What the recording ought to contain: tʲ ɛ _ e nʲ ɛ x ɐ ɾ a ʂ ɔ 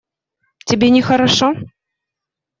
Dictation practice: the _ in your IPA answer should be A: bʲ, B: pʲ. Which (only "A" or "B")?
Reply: A